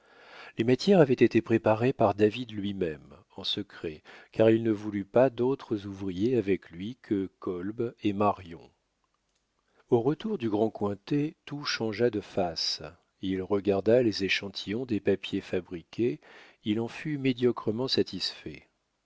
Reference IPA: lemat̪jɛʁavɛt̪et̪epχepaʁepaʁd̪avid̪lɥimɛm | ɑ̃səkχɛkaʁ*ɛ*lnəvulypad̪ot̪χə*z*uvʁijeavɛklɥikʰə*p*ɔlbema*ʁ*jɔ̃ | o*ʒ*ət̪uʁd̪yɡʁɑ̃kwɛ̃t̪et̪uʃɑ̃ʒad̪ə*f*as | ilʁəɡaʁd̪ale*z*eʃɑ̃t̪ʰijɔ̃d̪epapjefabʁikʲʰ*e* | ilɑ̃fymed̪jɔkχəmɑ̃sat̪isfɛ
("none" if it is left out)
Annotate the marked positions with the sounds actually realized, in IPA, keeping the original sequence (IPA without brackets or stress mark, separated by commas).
i, z, k, ʁ, ʁ, f, z, e